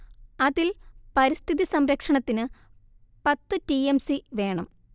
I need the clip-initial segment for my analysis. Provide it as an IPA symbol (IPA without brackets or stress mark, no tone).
ɐ